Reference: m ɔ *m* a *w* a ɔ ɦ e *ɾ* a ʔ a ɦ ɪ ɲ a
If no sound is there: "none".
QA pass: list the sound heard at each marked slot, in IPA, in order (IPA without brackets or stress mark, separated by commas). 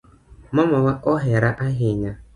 m, w, ɾ